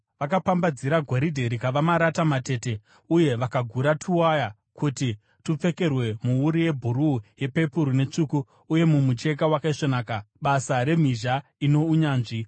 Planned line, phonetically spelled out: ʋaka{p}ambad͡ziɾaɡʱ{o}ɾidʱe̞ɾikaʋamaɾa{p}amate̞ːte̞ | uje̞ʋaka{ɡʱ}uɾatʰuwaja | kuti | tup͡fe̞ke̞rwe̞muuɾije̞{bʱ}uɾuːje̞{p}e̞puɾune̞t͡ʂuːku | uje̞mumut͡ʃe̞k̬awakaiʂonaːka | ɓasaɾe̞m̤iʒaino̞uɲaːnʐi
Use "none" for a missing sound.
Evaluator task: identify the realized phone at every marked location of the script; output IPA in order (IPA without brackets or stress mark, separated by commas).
p, o, t, ɡʱ, bʱ, p